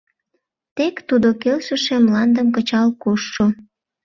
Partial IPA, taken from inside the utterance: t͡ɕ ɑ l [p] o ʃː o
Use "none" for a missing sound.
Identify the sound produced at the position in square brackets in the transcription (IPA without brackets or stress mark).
k